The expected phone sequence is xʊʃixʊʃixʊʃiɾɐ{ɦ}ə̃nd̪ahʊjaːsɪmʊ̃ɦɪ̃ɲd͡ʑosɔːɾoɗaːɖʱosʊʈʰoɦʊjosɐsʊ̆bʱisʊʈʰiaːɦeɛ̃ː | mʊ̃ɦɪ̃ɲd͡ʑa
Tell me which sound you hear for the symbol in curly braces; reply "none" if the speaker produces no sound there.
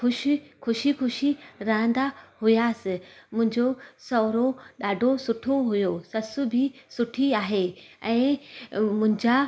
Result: ɦ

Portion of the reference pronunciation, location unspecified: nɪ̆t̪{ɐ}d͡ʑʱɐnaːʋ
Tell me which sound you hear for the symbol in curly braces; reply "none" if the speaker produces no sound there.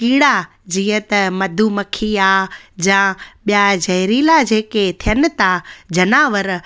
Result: a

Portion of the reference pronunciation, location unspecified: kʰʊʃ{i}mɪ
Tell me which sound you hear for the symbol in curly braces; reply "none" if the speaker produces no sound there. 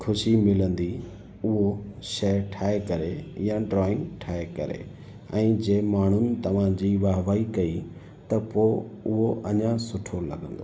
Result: i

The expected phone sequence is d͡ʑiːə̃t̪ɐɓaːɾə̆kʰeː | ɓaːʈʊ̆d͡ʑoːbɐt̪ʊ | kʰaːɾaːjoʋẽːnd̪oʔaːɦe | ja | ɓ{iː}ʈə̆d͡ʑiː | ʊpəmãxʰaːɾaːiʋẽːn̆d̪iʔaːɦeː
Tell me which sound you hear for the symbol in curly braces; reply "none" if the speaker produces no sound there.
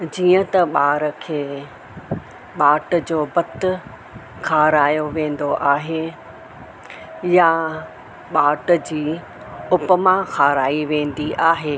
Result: aː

